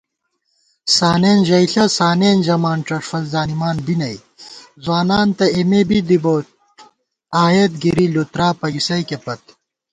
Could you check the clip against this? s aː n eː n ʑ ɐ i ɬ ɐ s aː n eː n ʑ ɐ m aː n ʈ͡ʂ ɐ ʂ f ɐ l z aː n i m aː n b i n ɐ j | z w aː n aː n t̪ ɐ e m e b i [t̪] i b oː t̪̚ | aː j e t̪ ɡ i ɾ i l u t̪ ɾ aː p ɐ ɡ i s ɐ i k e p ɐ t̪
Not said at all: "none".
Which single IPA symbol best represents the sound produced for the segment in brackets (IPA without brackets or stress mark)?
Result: d̪